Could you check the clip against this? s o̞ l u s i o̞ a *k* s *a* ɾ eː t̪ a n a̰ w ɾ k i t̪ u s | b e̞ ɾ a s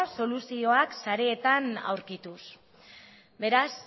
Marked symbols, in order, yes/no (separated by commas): yes, yes